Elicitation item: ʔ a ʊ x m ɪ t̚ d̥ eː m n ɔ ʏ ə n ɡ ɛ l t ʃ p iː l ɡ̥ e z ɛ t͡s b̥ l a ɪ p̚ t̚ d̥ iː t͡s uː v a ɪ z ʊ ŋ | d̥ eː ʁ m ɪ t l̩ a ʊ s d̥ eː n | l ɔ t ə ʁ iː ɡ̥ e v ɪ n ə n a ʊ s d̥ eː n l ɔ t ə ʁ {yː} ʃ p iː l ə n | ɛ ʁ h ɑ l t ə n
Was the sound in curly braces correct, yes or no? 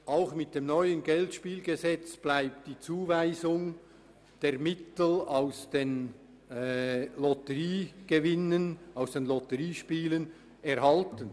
no